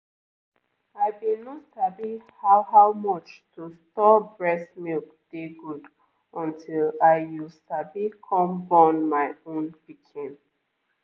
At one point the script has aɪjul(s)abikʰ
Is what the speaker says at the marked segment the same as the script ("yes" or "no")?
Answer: yes